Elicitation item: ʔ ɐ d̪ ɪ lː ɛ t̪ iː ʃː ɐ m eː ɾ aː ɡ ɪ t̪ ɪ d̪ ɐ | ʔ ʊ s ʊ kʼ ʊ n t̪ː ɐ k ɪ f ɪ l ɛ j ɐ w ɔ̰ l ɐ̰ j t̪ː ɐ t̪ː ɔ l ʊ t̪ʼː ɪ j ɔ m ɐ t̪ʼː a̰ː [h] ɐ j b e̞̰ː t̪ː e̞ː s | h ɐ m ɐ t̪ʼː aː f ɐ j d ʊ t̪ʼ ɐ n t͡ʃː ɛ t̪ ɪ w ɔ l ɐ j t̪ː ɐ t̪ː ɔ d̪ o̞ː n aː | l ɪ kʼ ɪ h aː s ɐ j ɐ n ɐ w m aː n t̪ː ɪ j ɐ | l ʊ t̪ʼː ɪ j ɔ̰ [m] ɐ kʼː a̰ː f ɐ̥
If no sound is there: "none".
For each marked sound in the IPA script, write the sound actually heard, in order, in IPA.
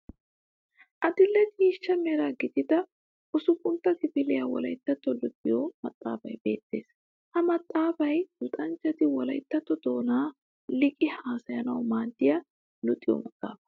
f, m

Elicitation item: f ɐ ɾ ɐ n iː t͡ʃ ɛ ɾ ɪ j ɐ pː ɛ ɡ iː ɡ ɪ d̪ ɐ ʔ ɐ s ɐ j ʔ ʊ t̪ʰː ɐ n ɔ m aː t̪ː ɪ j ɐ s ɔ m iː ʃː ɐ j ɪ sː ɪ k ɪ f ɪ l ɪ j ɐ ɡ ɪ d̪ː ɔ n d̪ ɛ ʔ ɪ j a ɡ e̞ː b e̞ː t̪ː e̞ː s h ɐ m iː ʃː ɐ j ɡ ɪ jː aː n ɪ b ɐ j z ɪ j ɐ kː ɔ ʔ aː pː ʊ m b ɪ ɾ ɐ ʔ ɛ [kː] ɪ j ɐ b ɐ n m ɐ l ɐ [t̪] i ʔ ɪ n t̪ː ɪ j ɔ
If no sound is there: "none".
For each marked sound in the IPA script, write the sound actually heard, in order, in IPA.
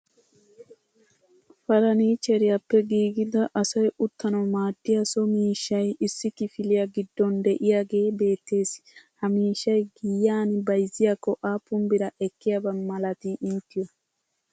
kː, t̪

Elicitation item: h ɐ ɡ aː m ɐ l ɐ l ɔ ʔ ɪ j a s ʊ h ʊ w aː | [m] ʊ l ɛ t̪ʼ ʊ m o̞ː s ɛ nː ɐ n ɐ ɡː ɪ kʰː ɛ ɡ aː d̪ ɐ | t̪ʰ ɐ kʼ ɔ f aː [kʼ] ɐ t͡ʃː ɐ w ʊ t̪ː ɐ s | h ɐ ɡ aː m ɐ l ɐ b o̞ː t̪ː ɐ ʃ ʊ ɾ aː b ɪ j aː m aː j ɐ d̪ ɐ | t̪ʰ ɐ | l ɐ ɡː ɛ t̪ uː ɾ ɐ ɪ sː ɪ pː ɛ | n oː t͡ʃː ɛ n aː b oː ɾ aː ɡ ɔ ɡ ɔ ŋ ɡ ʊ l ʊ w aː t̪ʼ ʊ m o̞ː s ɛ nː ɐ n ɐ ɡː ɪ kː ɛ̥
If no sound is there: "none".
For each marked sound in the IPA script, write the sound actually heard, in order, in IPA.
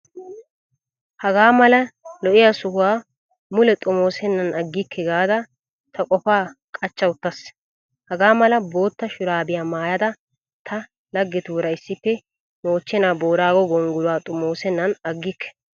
m, kʼ

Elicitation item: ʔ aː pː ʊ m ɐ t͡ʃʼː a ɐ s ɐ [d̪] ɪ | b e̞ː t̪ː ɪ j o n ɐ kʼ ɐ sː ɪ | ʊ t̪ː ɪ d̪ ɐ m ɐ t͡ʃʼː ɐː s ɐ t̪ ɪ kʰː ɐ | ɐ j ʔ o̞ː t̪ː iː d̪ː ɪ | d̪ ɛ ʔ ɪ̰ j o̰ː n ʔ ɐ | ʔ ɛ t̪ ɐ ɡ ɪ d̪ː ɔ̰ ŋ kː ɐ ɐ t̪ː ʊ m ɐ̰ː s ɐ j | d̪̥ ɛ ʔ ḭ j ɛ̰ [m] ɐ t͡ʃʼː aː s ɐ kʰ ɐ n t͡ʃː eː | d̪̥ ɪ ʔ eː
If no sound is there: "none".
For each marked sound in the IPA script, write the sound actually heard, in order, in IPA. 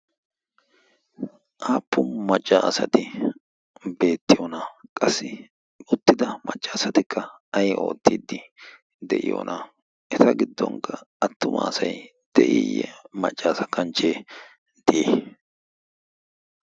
t̪, m

